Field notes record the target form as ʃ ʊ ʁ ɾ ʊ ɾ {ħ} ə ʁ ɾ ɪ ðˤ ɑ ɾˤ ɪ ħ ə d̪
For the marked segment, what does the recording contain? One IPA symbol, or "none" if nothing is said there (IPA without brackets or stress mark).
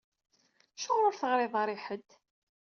θ